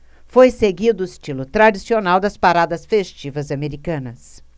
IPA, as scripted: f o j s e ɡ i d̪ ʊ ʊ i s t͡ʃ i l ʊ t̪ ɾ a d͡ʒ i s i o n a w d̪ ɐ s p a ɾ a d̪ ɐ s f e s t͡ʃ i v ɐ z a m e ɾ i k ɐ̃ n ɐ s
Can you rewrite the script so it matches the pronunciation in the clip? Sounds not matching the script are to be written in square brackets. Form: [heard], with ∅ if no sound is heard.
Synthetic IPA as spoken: f o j s e ɡ i d̪ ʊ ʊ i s t͡ʃ i l ʊ t̪ ɾ a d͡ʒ i s i o n a w d̪ ɐ s p a ɾ a d̪ ɐ s f e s t͡ʃ i v ɐ z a m e ɾ i k ɐ̃ n ɐ s